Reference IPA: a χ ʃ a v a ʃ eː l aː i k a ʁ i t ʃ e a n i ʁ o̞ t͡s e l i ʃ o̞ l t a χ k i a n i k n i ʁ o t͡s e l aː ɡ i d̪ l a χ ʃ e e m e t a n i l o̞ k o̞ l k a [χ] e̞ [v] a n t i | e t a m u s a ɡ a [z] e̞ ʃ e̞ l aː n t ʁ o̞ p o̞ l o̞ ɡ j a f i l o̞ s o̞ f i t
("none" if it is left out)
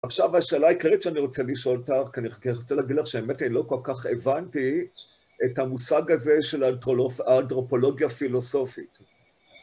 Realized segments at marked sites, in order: χ, v, z

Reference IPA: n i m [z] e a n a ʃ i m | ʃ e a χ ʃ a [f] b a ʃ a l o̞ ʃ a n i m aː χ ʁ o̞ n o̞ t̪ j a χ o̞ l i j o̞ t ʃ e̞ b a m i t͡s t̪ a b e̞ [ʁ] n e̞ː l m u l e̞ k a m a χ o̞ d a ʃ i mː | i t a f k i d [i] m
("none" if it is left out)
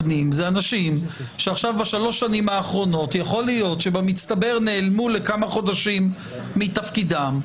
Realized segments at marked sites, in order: z, v, ʁ, a

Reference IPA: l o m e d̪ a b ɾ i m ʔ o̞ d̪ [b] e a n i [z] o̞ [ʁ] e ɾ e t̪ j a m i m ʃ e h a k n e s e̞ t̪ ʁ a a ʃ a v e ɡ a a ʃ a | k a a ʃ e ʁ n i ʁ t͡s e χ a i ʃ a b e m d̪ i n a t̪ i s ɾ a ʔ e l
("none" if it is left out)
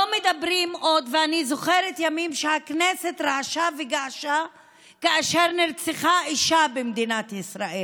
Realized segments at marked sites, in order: v, z, χ

